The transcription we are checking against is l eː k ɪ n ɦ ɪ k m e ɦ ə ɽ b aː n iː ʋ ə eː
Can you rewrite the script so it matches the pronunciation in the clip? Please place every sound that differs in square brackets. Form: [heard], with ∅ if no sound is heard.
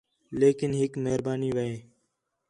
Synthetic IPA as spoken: l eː k ɪ n ɦ ɪ k m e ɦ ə [ɾ] b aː n iː ʋ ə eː